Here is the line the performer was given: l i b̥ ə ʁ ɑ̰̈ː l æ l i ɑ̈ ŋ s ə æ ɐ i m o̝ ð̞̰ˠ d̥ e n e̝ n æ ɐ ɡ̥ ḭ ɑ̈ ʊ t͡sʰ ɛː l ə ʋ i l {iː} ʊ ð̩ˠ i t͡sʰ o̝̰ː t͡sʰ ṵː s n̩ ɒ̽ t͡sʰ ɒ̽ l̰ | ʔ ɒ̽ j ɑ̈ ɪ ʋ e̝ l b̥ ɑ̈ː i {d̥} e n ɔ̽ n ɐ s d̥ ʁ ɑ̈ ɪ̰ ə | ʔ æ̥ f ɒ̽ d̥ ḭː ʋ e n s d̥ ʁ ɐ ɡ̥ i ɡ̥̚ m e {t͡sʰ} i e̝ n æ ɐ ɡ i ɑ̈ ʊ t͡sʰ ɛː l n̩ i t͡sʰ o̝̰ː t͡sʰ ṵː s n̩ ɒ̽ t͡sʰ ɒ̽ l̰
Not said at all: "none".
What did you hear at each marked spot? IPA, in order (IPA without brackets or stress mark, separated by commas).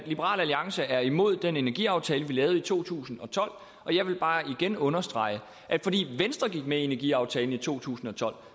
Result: ɛː, ɡ̥, none